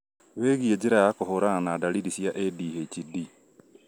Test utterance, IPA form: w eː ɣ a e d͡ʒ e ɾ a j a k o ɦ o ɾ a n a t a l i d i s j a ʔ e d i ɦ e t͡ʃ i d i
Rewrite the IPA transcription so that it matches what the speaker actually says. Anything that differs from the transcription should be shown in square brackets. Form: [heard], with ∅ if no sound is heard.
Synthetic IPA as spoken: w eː ɣ [i] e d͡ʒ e ɾ a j a k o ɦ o ɾ a n a [d] a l i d i s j a ʔ e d i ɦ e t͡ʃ i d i